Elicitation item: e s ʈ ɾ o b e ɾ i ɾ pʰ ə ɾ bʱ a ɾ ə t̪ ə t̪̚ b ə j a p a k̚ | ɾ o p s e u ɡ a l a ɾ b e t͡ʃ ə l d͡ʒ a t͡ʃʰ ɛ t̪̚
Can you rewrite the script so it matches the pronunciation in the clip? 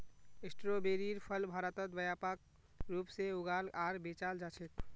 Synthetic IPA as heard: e s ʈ ɾ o b e ɾ i ɾ pʰ ə l bʱ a ɾ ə t̪ ə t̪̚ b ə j a p a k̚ | ɾ u p s e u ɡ a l a ɾ b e t͡ʃ a l d͡ʒ a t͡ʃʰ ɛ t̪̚